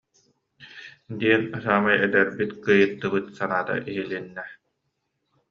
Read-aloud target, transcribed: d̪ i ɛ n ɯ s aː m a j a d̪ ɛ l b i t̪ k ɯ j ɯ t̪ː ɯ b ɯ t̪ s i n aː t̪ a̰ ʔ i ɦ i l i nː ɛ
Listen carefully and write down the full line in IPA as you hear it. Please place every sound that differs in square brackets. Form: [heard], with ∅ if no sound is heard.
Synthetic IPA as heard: d̪ i ɛ n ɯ s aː m a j [ɛ] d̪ ɛ [ɾ] b i t̪ k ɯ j ɯ t̪ː ɯ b ɯ t̪ s [a] n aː t̪ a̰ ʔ i ɦ i l i nː ɛ